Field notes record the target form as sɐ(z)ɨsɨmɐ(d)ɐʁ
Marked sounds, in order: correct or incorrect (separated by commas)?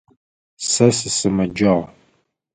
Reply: incorrect, incorrect